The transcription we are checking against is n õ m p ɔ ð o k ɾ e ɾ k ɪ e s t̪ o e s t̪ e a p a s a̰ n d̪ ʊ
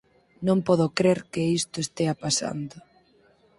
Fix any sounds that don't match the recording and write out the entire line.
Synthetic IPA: n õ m p ɔ ð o k ɾ e ɾ k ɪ i s t̪ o e s t̪ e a p a s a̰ n d̪ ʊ